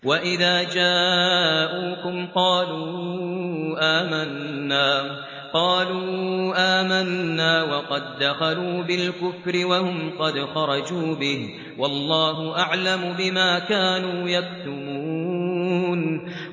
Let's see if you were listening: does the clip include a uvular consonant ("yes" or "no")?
yes